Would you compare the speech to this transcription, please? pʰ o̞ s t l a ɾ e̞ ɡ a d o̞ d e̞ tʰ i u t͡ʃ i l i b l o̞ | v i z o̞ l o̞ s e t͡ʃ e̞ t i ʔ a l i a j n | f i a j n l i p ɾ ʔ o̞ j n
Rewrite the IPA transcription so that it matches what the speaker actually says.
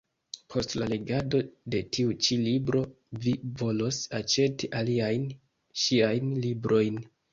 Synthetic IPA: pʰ o̞ s t l a l e̞ ɡ a d o̞ d e̞ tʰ i u t͡ʃ i l i b ɾ o̞ | v i v o̞ l o̞ s a t͡ʃ e̞ t i ʔ a l i a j n | ʃ i a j n l i b ɾ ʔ o̞ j n